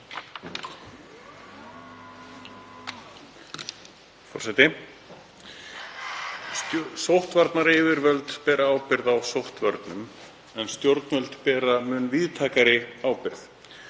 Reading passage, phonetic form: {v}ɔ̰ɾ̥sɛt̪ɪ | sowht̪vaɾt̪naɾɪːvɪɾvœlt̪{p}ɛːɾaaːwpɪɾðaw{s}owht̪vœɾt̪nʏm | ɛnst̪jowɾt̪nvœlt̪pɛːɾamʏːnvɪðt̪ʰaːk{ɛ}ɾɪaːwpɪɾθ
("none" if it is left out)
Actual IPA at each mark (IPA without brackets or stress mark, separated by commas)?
f, p, s, a